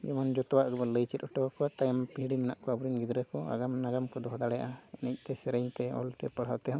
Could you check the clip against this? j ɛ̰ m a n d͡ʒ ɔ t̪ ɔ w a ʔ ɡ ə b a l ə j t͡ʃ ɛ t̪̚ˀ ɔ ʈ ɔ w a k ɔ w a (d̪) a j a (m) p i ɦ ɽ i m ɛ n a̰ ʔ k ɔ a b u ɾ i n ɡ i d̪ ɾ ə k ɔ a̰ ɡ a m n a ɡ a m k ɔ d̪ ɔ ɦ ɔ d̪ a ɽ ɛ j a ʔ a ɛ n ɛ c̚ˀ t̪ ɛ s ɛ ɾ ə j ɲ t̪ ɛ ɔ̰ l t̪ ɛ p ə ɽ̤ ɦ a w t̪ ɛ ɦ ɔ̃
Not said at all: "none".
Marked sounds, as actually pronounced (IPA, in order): t̪, m

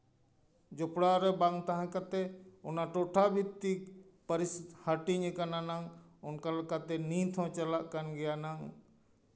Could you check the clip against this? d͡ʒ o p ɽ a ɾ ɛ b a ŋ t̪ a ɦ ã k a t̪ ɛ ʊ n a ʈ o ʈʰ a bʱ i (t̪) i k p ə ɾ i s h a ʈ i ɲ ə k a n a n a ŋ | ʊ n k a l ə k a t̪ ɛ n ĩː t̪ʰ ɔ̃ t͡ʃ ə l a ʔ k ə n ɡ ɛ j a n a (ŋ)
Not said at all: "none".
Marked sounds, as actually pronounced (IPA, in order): t̪, ŋ

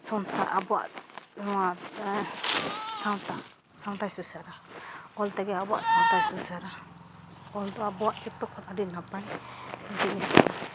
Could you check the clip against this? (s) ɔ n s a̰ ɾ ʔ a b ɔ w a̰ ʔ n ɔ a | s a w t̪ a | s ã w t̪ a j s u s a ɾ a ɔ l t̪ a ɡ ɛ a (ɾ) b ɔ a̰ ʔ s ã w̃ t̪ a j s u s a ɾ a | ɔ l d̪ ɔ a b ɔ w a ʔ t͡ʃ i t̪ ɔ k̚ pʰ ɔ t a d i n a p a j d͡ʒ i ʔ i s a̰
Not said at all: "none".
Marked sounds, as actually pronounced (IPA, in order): s, none

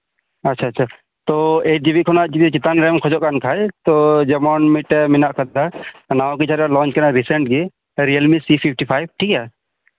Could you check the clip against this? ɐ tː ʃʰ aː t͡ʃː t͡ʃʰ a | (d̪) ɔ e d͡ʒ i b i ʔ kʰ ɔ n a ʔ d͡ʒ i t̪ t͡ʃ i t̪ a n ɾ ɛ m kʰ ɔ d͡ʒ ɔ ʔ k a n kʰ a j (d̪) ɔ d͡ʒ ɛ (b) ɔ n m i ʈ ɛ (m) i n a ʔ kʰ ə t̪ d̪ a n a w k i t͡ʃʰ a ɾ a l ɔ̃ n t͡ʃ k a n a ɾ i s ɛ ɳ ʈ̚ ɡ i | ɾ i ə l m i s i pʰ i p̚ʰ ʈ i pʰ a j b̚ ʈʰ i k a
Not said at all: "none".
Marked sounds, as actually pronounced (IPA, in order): t̪, t̪, m, m

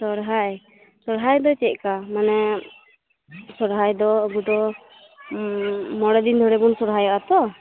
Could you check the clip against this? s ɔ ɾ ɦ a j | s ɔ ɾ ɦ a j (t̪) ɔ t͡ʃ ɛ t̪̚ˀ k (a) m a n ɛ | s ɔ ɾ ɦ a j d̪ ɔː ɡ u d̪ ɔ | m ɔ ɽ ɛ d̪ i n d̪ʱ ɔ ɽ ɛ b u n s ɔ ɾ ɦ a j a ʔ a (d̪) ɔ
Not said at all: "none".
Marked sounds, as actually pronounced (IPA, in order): d̪, a, t̪

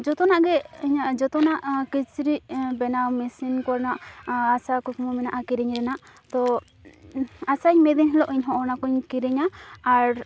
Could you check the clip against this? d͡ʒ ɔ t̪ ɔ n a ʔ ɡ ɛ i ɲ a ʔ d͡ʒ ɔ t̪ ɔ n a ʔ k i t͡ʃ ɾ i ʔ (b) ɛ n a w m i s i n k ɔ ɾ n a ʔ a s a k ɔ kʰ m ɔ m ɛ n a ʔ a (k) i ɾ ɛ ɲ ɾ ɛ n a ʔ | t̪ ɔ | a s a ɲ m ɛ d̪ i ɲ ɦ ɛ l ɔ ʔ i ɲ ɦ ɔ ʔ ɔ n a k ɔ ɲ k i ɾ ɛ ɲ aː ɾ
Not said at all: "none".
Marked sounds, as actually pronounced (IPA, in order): b, k

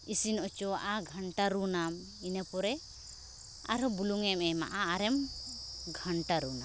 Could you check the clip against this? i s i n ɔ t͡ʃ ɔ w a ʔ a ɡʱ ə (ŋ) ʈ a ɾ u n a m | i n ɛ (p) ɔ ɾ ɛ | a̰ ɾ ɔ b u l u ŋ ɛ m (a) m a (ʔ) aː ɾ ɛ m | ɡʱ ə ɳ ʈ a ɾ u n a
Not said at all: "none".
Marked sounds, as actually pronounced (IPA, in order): ɳ, p, ɛ, ʔ

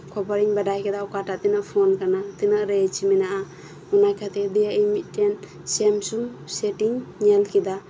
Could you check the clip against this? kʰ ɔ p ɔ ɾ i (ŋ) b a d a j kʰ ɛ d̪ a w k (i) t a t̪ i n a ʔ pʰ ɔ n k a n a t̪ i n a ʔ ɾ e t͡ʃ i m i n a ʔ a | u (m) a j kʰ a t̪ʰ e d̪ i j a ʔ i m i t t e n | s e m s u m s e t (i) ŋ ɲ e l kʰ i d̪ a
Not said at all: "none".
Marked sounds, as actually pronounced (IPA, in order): ŋ, a, n, i

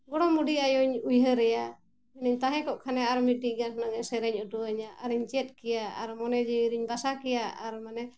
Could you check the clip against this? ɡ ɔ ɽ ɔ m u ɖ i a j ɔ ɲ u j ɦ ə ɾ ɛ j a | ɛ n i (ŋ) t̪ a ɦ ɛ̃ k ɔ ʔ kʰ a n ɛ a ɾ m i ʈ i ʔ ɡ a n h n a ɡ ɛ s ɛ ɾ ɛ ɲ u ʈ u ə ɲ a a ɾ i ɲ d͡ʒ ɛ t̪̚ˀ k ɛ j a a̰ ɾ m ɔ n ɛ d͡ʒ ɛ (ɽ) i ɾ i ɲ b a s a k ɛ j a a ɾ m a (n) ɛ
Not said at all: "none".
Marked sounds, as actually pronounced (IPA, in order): ɲ, none, n

